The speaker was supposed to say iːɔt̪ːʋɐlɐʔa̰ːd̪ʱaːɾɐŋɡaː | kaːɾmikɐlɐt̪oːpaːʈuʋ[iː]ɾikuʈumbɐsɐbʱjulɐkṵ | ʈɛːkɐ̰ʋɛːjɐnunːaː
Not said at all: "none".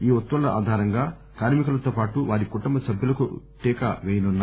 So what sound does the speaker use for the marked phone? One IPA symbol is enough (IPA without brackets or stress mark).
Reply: aː